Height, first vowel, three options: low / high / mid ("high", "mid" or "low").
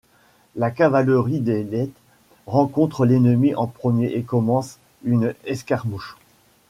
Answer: low